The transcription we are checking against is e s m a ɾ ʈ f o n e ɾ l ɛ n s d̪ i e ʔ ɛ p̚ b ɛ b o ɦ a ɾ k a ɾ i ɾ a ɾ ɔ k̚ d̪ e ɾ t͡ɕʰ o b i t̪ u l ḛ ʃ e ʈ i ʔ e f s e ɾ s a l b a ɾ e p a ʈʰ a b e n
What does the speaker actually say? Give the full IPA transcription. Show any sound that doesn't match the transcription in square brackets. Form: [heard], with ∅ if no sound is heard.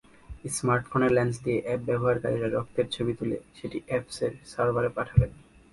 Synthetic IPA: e s m a ɾ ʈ f o n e ɾ l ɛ n s d̪ i e ʔ ɛ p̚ b ɛ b o ɦ a ɾ k a ɾ i ɾ a ɾ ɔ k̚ [t̪] e ɾ t͡ɕʰ o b i t̪ u l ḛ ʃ e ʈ i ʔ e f s e ɾ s a [ɾ] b a ɾ e p a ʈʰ a b e n